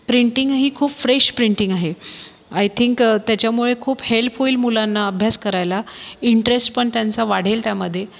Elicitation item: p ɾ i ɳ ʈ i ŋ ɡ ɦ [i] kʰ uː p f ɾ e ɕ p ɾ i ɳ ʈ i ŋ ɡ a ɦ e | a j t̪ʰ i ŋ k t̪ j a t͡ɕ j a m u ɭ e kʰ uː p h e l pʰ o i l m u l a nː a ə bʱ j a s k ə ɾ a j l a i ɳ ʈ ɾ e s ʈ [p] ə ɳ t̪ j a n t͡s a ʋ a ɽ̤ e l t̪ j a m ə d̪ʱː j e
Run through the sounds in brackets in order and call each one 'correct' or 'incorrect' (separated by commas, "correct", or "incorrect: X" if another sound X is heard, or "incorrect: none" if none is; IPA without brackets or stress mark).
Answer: incorrect: iː, correct